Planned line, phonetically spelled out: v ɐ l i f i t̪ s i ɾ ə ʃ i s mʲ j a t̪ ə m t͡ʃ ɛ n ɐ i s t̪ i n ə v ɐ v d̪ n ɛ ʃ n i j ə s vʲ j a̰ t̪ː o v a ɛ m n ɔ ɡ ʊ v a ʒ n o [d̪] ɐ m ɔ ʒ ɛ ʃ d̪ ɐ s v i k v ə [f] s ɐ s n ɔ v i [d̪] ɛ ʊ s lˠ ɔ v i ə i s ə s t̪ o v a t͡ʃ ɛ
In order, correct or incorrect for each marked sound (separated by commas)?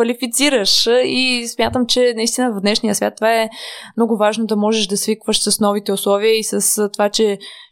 correct, incorrect, incorrect